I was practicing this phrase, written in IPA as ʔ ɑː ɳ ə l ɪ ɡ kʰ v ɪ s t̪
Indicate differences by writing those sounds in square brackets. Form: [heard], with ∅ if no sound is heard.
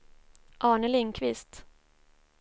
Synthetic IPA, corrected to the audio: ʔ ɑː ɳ ə l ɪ [ŋ] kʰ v ɪ s t̪